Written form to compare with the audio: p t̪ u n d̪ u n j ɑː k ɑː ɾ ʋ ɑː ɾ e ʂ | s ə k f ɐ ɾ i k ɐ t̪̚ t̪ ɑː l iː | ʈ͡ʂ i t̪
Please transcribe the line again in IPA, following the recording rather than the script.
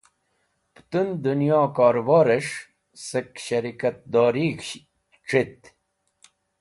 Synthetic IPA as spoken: p t̪ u n d̪ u n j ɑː k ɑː ɾ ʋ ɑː ɾ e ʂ | s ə k ɕ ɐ ɾ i k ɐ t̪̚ d̪ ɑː ɾ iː | ʈ͡ʂ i t̪